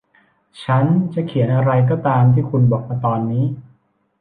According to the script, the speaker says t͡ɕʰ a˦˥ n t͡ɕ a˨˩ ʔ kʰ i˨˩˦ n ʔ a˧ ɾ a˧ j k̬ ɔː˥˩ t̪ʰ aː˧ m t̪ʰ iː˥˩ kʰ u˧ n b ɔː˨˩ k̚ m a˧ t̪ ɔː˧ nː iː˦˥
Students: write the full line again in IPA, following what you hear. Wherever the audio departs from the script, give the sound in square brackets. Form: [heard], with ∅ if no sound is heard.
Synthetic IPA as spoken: t͡ɕʰ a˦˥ n t͡ɕ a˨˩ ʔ kʰ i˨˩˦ n ʔ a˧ ɾ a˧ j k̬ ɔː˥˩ [t̪] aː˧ m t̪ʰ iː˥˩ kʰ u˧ n b ɔː˨˩ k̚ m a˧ t̪ ɔː˧ nː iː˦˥